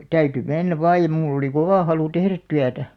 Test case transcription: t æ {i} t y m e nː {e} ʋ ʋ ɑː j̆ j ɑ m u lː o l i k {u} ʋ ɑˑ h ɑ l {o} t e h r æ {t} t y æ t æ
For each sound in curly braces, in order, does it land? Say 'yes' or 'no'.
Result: no, no, no, no, yes

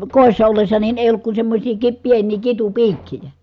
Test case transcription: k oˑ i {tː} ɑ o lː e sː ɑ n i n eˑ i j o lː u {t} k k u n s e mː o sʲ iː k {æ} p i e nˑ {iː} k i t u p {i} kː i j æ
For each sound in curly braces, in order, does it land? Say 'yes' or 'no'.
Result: no, no, no, yes, no

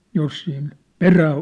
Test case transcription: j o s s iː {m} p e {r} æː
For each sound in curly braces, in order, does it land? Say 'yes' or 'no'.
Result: no, yes

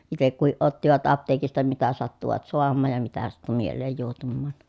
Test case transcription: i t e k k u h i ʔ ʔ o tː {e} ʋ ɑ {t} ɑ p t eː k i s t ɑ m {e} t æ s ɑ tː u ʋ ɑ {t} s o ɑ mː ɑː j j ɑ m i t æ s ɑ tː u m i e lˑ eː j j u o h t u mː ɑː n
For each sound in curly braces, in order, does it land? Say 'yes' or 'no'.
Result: no, yes, no, yes

